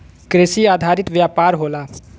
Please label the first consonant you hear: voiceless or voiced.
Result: voiceless